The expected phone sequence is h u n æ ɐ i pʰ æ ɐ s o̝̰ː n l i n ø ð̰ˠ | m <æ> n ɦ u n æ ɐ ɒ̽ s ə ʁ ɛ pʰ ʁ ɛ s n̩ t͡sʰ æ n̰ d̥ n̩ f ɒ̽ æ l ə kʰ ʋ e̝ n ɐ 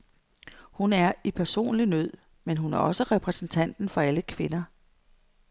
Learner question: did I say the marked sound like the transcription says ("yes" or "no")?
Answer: no